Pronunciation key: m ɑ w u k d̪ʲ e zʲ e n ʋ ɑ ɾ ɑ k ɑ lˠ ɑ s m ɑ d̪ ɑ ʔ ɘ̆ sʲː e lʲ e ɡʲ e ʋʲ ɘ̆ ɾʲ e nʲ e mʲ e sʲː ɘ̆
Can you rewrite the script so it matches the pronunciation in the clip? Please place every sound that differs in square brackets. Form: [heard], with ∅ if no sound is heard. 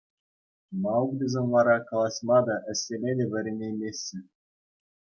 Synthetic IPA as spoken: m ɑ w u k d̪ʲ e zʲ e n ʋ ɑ ɾ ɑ k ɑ lˠ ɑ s m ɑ d̪ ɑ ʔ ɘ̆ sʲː e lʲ e [dʲ] e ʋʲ ɘ̆ ɾʲ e nʲ e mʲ e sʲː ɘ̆